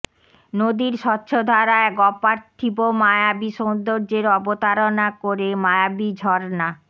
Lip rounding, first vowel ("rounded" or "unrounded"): rounded